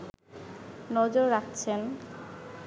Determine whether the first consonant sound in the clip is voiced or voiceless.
voiced